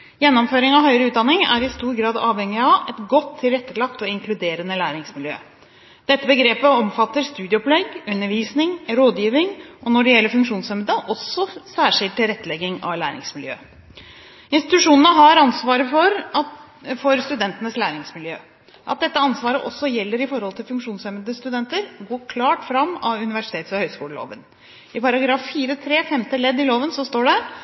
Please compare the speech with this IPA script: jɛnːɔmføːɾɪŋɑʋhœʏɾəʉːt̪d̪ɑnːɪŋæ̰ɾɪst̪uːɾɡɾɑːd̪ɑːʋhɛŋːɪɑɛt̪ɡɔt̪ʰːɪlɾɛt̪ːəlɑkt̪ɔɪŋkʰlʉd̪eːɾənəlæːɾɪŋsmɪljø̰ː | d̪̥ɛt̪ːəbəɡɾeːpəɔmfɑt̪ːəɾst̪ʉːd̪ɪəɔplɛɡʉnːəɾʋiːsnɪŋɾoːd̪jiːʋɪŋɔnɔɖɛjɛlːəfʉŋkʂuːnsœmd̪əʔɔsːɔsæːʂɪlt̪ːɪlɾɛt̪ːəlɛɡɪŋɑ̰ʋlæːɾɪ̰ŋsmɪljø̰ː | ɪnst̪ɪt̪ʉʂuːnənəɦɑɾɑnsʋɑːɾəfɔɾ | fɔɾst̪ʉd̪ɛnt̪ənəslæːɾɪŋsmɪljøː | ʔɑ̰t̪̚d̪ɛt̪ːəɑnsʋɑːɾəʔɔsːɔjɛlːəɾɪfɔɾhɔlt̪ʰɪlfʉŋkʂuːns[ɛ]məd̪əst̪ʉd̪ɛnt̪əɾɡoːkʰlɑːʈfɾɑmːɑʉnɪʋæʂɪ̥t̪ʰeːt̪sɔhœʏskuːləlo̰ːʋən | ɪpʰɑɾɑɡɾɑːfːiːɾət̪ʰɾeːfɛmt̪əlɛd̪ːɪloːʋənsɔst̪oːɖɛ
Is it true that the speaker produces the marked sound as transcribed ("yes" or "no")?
no